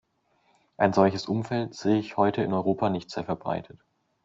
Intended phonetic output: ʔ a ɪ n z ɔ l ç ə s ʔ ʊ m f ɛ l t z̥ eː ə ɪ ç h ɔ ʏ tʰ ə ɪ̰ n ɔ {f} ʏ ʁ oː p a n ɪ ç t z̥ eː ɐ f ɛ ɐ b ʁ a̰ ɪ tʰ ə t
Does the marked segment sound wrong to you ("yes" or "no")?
yes